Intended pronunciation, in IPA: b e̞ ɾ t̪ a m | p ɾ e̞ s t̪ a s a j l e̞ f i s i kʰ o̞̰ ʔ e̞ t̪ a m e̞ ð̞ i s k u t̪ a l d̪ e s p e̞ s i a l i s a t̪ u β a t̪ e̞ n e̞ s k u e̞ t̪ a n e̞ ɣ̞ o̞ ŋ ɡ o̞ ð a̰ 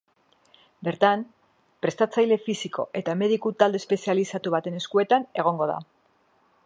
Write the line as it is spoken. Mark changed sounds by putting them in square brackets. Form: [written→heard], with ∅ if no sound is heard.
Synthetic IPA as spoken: b e̞ ɾ t̪ a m | p ɾ e̞ s t̪ a [s→t͡s] a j l e̞ f i s i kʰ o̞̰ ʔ e̞ t̪ a m e̞ ð̞ i [s→∅] k u t̪ a l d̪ e s p e̞ s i a l i s a t̪ u β a t̪ e̞ n e̞ s k u e̞ t̪ a n e̞ ɣ̞ o̞ ŋ ɡ o̞ ð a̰